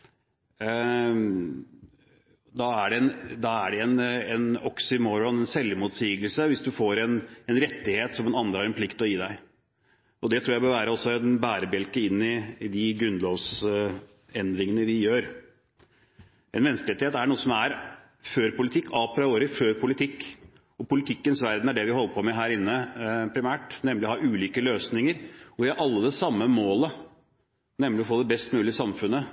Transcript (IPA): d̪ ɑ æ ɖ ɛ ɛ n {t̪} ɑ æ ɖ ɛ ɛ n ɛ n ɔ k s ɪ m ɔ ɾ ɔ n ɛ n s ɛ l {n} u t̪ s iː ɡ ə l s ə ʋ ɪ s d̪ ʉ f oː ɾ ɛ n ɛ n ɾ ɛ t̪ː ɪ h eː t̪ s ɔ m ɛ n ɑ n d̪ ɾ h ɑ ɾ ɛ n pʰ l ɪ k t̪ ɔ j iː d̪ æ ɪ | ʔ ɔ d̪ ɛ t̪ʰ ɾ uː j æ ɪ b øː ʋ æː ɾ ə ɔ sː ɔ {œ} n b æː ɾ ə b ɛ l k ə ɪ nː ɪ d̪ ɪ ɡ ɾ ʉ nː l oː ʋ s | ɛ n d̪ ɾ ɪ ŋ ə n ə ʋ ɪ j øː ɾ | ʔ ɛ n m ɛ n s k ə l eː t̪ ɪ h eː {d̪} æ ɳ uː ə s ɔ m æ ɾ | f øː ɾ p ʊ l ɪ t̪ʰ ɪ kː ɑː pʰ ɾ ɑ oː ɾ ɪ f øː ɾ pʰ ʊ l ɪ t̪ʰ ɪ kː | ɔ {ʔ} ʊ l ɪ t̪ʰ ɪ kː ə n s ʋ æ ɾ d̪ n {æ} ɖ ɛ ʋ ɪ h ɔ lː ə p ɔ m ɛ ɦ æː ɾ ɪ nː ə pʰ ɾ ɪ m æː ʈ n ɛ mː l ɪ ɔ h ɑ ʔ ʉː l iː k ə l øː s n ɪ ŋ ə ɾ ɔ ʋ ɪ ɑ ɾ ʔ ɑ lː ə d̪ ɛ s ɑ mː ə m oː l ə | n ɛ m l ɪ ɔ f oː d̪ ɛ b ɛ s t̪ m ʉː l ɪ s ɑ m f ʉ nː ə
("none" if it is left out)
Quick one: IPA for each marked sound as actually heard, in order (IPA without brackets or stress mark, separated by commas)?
d̪, m, ɛ, t̪, p, æ